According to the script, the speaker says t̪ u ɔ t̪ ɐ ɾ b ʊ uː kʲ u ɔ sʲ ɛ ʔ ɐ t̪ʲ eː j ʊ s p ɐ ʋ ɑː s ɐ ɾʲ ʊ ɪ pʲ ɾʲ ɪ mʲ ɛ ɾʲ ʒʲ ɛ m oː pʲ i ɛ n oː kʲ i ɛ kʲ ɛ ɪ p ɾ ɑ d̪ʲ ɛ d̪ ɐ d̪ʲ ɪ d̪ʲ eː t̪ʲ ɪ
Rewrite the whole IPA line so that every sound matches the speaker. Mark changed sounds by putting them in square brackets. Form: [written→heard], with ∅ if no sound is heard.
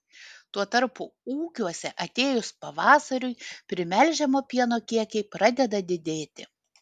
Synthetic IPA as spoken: t̪ u ɔ t̪ ɐ ɾ [b→p] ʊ uː kʲ u ɔ sʲ ɛ ʔ ɐ t̪ʲ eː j ʊ s p ɐ ʋ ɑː s ɐ ɾʲ ʊ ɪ pʲ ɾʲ ɪ mʲ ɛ [ɾʲ→lʲ] ʒʲ ɛ m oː pʲ i ɛ n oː kʲ i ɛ kʲ ɛ ɪ p ɾ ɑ d̪ʲ ɛ d̪ ɐ d̪ʲ ɪ d̪ʲ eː t̪ʲ ɪ